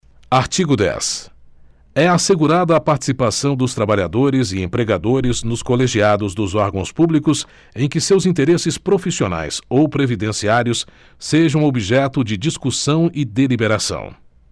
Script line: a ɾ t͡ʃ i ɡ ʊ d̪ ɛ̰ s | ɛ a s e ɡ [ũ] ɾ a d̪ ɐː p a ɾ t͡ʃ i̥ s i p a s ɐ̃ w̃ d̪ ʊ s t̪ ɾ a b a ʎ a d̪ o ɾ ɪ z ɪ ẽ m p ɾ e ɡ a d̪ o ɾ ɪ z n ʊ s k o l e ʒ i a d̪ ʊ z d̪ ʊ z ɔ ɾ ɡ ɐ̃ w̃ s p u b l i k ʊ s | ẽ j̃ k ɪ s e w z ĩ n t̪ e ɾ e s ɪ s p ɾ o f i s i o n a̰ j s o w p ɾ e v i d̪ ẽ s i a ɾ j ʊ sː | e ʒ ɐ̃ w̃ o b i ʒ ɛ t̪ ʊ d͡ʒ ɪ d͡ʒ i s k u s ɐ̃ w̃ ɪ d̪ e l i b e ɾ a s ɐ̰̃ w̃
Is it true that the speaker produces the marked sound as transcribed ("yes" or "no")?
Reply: no